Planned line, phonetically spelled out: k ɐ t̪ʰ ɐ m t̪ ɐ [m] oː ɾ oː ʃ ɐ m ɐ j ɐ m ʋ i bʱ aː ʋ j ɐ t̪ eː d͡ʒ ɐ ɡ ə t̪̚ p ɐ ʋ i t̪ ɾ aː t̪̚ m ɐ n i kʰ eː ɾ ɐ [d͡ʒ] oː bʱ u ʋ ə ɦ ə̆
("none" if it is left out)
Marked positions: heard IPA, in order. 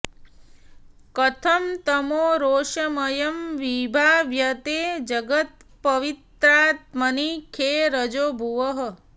m, d͡ʒ

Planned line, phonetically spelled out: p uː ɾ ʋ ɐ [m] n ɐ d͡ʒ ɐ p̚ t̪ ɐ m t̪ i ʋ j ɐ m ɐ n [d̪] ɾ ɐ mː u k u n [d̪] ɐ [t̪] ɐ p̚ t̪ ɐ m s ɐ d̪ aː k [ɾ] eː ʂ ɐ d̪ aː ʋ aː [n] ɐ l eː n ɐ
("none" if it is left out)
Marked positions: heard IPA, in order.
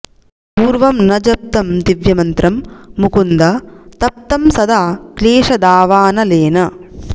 m, t̪, d̪, t̪, l, n

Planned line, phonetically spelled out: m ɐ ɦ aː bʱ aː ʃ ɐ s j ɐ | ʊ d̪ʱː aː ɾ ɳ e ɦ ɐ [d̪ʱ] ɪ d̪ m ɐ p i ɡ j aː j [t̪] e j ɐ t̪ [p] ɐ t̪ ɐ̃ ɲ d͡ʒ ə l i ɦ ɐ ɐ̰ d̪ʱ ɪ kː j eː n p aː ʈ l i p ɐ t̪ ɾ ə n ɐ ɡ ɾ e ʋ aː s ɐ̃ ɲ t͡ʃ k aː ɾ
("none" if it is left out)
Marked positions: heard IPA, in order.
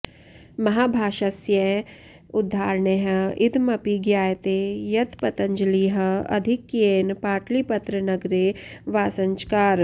none, t̪, p

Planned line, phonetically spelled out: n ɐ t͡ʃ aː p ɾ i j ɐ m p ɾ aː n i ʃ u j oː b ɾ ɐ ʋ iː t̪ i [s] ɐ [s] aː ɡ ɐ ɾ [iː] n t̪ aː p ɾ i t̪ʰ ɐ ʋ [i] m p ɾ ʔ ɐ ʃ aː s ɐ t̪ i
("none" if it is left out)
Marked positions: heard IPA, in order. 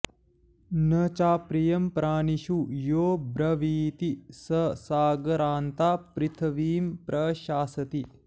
s, s, aː, iː

